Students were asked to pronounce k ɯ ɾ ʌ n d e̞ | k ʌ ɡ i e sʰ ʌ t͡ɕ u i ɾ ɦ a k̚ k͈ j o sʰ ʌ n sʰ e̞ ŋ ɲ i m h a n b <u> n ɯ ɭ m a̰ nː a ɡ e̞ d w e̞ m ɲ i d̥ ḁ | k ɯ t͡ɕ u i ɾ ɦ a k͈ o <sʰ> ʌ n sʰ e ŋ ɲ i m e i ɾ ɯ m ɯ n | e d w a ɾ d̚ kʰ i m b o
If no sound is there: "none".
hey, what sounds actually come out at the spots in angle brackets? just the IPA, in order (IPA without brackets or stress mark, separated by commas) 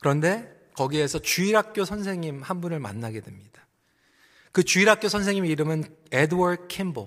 u, sʰ